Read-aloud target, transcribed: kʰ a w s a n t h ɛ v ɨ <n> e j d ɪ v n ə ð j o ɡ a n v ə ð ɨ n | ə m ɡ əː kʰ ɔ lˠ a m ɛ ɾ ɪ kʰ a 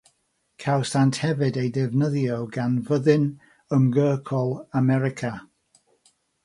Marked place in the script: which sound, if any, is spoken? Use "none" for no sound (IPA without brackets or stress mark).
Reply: d